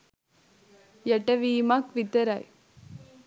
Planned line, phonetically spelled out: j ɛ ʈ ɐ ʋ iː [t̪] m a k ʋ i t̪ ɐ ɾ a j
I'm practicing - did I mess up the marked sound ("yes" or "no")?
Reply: yes